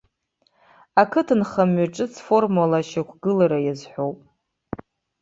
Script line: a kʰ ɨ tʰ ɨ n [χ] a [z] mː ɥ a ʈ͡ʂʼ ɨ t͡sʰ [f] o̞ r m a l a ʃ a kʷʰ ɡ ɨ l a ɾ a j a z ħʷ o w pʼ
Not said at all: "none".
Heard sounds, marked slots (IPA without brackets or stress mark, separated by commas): χ, none, f